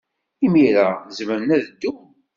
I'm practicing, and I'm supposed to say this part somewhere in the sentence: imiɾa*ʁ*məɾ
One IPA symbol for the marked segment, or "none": z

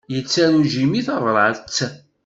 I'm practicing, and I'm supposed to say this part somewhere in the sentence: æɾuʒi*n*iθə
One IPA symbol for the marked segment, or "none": m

